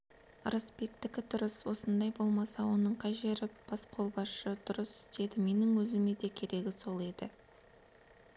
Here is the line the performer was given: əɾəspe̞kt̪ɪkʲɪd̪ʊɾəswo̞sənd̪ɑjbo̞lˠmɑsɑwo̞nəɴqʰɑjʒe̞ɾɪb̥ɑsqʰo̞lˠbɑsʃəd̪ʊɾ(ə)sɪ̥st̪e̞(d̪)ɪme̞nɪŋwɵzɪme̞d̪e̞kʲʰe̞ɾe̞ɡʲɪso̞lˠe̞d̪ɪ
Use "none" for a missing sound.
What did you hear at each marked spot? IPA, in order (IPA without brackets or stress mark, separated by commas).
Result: ə, d̪